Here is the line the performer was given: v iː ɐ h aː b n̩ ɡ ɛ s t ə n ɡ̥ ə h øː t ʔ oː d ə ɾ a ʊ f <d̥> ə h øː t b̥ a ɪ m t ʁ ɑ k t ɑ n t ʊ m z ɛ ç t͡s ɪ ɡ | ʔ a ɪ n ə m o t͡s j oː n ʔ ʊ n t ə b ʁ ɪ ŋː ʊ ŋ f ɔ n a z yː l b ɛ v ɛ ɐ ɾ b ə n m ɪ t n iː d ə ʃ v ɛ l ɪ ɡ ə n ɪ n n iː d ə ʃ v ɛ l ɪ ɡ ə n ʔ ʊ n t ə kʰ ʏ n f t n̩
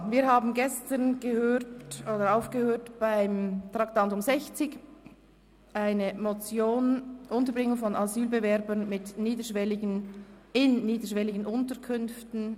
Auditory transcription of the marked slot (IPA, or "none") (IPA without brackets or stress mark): ɡ̥